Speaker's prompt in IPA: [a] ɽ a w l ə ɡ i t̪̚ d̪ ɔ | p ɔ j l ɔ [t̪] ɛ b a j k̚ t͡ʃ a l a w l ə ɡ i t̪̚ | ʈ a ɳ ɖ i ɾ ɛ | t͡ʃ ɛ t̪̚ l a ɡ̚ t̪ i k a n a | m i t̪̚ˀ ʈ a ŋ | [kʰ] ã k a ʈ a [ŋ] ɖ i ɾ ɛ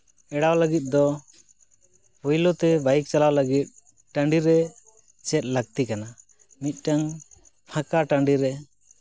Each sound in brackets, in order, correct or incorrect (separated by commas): incorrect, correct, incorrect, incorrect